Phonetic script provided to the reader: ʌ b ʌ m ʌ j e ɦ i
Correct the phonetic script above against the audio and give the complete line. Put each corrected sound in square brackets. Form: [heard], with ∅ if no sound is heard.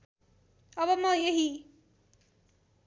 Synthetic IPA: ʌ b ʌ m ʌ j e ɦ i